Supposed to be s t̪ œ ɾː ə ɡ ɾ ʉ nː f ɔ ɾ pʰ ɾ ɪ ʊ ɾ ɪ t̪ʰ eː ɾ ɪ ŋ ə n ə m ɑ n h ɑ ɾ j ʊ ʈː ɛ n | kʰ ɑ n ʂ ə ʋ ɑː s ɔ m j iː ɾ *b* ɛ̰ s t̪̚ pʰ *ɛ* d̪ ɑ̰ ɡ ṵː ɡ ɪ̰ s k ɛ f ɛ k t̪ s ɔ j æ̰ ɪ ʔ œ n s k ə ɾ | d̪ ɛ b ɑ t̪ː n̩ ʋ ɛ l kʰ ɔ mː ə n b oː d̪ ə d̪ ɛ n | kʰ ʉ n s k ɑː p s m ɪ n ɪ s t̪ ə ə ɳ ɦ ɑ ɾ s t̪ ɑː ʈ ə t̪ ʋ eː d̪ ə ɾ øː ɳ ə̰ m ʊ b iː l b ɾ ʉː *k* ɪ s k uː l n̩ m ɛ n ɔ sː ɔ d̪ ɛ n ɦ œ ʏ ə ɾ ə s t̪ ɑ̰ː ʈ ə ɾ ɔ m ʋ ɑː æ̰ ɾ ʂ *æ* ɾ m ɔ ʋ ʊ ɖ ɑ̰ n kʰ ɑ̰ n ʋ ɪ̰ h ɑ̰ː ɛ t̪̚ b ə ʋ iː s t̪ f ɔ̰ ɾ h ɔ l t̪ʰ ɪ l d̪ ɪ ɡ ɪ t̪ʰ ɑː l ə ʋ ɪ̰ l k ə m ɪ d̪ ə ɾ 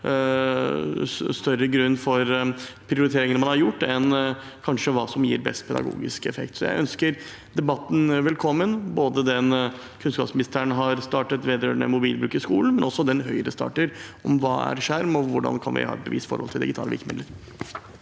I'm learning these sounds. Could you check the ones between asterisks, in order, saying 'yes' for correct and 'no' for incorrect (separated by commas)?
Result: yes, yes, yes, yes